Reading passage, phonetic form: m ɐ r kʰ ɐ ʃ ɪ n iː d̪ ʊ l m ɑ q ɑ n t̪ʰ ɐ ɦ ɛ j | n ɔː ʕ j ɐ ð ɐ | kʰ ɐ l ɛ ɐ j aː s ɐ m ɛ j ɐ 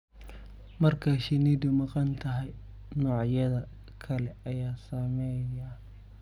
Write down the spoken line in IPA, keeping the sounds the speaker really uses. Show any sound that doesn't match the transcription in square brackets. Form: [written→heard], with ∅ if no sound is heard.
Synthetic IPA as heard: m ɐ r kʰ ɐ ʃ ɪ n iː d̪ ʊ [l→∅] m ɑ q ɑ n t̪ʰ ɐ ɦ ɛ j | n ɔː ʕ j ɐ ð ɐ | kʰ ɐ l ɛ ɐ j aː s ɐ m ɛ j ɐ